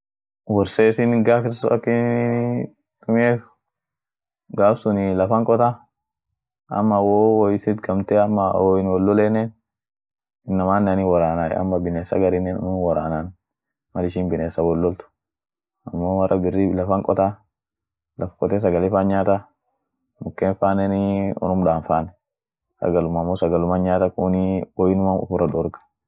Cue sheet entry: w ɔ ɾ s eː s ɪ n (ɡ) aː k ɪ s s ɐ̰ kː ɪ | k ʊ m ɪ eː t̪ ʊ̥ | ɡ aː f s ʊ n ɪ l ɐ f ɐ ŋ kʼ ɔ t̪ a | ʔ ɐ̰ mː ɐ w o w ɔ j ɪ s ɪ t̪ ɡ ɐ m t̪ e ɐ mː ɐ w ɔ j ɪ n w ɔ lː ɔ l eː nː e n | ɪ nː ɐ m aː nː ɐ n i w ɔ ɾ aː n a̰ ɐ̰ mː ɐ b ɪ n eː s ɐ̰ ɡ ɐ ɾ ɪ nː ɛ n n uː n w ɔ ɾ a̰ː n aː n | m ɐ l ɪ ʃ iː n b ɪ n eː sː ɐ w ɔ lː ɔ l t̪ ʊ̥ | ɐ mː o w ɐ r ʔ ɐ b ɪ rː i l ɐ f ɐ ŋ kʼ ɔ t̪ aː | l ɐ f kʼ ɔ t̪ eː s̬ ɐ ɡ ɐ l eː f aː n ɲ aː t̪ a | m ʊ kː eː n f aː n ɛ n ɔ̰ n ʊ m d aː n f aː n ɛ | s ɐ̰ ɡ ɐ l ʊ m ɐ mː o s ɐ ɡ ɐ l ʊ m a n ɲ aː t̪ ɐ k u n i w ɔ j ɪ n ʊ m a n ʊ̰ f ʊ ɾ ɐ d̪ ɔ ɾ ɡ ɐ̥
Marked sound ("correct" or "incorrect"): correct